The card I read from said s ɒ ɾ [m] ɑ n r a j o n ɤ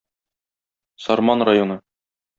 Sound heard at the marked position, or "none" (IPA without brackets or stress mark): m